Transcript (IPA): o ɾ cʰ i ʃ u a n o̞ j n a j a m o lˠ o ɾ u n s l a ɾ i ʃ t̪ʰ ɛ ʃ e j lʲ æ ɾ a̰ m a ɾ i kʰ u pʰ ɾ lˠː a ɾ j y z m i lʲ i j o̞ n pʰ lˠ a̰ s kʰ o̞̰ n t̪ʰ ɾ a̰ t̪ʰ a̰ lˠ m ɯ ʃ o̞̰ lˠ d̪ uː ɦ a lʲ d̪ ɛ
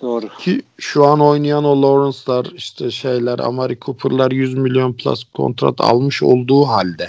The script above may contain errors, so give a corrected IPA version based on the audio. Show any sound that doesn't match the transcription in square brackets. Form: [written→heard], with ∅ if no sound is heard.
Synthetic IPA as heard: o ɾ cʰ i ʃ u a n o̞ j n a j a [m→n] o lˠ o ɾ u n s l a ɾ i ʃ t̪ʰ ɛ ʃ e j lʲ æ ɾ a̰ m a ɾ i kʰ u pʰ ɾ [lˠː→lˠ] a ɾ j y z m i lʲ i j o̞ n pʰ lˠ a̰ s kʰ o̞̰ n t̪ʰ ɾ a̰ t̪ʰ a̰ lˠ m ɯ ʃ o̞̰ lˠ d̪ uː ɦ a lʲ d̪ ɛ